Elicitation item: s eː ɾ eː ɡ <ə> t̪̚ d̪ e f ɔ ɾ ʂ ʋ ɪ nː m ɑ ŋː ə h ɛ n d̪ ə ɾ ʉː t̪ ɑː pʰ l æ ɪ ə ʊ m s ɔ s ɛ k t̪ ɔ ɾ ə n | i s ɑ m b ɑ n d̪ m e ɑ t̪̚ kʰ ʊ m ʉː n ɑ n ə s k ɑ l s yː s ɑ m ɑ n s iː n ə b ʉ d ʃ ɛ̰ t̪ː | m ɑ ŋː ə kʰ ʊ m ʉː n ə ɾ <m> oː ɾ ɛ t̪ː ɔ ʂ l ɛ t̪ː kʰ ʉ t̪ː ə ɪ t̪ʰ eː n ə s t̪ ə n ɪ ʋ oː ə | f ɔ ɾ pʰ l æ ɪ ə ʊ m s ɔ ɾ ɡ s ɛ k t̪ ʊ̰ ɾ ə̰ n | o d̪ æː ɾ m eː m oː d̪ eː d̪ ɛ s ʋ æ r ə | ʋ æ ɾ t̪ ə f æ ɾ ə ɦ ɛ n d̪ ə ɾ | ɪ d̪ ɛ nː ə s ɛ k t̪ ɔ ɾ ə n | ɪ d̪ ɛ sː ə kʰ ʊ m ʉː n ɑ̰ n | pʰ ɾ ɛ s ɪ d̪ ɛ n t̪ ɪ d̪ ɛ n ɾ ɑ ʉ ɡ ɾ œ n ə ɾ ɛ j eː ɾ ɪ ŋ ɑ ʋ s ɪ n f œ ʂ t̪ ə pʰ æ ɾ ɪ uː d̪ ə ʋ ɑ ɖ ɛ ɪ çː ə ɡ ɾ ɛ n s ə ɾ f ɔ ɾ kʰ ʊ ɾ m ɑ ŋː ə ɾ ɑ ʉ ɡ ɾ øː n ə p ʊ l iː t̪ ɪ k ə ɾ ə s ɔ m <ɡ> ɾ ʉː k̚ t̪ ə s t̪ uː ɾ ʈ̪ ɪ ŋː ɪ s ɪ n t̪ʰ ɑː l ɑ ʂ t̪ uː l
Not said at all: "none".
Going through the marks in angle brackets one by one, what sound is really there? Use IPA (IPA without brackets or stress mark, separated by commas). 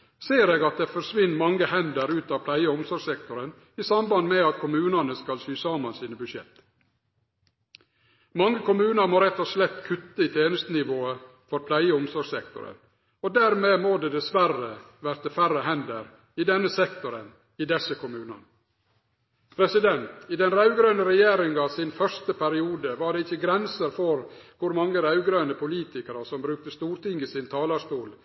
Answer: ɑ, m, b